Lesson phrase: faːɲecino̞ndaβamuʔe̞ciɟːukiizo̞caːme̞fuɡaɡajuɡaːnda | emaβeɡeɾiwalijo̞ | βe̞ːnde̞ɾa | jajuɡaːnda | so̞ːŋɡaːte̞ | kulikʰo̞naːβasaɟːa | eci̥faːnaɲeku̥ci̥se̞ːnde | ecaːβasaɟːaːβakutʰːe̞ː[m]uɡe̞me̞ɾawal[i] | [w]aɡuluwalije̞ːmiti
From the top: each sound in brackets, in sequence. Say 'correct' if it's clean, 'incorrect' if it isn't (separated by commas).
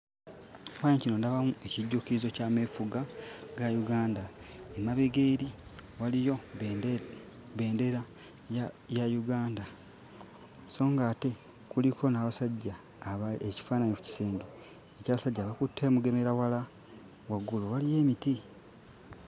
correct, incorrect, correct